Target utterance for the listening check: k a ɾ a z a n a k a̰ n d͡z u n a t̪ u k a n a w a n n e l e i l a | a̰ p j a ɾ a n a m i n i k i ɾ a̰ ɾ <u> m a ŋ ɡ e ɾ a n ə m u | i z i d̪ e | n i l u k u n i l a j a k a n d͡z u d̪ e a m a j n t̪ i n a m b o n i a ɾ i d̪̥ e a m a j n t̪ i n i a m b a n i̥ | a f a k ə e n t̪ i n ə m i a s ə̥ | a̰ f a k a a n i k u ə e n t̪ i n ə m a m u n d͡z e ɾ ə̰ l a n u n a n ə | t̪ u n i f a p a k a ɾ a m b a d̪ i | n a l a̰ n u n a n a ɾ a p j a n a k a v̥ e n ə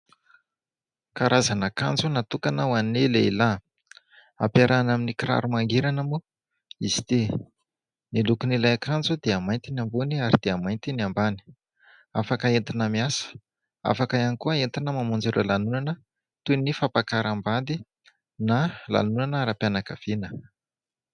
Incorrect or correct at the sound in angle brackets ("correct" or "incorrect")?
correct